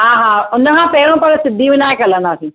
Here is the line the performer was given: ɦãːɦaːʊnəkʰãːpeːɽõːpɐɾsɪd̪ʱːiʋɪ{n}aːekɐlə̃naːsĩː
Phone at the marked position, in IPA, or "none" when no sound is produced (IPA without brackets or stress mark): n